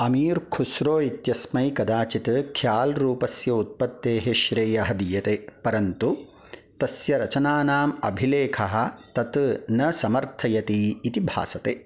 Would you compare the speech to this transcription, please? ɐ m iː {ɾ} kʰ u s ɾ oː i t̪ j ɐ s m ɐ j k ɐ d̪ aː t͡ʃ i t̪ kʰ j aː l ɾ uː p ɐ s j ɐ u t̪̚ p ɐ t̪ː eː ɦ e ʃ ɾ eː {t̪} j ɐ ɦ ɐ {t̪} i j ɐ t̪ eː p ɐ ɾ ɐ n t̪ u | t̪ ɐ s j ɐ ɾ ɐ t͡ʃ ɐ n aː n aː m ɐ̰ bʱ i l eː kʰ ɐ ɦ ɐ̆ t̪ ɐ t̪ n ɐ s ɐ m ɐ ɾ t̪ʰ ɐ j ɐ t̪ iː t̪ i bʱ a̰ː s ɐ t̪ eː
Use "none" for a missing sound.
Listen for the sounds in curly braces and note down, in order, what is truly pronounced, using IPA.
ɾ, none, d̪

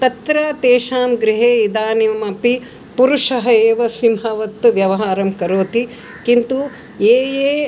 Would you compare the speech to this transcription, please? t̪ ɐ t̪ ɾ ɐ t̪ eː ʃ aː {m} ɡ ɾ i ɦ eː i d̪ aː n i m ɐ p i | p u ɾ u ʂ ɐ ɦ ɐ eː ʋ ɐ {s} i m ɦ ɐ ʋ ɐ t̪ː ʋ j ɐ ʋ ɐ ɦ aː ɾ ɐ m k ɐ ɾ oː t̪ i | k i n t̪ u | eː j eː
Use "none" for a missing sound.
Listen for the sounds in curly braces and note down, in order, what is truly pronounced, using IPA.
m, s

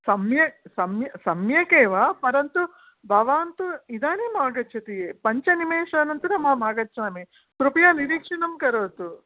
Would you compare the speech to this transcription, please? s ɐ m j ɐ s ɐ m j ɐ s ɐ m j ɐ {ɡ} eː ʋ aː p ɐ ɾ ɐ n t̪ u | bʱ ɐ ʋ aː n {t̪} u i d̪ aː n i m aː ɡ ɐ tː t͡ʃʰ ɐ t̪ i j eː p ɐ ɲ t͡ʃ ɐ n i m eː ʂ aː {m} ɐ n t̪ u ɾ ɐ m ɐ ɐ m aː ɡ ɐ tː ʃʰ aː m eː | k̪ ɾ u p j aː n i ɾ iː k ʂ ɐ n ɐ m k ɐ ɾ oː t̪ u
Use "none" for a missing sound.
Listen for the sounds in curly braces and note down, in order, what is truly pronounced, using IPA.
k, t̪, n

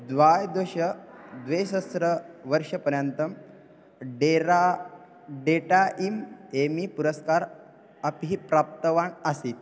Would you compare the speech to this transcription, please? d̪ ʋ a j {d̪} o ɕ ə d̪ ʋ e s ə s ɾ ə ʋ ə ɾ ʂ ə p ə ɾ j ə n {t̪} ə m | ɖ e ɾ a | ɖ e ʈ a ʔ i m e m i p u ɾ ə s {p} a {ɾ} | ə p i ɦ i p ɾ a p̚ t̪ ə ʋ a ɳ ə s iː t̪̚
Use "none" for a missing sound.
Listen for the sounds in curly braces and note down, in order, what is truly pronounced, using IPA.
d̪, t̪, k, ɾ

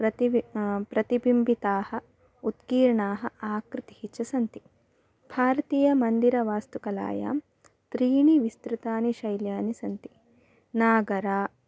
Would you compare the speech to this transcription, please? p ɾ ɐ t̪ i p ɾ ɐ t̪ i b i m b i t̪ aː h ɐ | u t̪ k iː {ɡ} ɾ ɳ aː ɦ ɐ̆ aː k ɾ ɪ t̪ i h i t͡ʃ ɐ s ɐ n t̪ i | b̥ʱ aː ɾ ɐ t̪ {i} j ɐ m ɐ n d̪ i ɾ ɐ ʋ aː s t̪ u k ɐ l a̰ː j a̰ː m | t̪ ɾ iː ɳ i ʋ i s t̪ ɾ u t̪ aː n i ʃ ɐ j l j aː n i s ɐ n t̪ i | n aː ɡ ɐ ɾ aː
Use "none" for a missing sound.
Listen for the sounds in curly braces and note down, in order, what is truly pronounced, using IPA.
none, iː

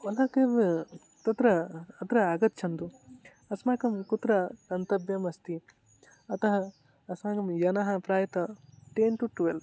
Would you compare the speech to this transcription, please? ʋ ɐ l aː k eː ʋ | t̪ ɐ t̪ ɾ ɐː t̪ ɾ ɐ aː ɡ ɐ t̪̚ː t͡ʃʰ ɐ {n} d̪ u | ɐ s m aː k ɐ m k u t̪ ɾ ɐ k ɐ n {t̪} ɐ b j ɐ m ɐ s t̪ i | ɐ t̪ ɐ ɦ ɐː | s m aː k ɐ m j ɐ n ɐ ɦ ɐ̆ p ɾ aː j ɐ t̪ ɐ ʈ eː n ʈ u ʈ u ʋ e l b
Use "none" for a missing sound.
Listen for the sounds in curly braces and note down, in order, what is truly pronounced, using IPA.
n, t̪

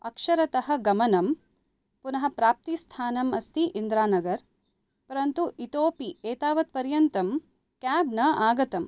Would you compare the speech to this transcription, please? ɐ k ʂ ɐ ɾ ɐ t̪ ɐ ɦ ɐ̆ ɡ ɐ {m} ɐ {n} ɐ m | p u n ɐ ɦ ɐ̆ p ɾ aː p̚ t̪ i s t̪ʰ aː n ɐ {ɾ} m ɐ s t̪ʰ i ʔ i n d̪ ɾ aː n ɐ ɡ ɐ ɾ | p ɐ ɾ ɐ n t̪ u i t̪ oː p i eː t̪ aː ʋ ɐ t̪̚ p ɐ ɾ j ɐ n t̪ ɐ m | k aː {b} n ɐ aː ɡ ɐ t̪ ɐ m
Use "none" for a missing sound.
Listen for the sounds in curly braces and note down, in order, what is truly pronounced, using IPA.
m, n, none, b

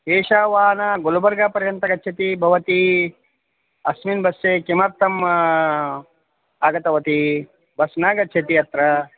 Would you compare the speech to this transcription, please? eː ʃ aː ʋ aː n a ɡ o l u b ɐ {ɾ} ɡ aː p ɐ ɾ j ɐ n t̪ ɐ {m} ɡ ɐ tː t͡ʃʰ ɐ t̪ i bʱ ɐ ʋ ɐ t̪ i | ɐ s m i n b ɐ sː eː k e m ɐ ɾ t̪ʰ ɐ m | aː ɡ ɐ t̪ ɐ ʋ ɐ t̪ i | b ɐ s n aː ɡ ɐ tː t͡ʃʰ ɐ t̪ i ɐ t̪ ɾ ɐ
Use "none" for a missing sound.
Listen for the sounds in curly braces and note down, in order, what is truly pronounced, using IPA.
ɾ, none

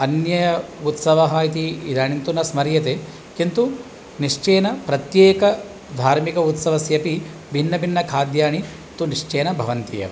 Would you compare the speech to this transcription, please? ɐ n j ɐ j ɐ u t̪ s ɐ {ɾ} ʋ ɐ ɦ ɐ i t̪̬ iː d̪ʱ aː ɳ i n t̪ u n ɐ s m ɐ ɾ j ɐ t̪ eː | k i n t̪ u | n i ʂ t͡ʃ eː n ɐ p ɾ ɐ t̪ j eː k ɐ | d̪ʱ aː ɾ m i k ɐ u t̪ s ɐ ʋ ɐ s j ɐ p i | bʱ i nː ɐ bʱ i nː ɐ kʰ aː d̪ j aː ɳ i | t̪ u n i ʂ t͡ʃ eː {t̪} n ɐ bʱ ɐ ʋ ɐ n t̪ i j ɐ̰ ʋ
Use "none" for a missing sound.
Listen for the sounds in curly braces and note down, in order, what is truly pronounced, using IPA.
none, none

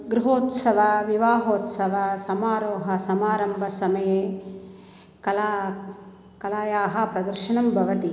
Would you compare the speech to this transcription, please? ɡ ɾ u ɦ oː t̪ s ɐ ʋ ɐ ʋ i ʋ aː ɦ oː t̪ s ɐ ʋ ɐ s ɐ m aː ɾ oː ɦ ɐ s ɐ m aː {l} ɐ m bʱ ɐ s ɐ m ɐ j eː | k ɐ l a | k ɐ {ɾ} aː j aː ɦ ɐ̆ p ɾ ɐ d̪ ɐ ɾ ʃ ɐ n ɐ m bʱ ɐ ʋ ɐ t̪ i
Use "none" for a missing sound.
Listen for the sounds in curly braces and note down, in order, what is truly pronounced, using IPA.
ɾ, l

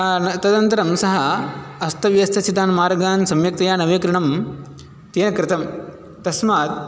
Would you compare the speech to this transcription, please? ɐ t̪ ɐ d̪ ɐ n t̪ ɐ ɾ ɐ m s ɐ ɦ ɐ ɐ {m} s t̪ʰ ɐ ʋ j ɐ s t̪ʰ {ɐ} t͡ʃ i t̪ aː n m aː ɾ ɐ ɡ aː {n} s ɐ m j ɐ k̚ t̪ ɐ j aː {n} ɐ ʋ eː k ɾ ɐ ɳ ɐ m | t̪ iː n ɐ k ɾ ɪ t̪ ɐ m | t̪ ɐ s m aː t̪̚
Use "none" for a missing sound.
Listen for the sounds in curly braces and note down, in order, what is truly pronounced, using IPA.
none, ɐ, n, n

